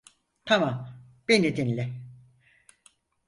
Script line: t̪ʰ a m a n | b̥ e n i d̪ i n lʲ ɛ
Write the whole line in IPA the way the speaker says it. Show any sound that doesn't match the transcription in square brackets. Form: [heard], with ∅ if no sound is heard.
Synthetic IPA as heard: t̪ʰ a m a [m] | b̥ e n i d̪ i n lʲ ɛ